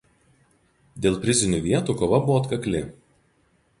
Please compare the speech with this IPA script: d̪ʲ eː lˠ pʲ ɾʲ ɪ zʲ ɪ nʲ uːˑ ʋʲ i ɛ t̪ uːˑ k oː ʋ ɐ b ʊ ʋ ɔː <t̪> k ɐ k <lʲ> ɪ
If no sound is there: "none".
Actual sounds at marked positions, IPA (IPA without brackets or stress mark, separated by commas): t̪, lʲ